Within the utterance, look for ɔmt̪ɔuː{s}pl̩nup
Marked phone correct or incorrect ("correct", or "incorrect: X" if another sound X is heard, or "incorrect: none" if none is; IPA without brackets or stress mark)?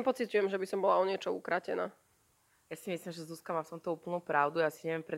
incorrect: none